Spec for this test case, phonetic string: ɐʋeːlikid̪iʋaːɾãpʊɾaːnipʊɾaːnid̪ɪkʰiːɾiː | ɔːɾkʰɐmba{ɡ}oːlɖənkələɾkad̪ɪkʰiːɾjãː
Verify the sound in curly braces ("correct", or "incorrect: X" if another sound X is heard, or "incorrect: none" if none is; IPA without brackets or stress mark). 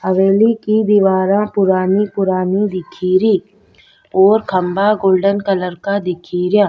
correct